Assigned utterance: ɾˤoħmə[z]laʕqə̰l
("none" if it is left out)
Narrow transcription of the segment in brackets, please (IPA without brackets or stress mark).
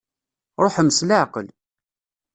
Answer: s